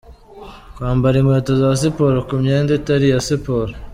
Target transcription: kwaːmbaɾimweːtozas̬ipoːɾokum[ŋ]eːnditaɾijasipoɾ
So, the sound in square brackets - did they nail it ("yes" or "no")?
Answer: no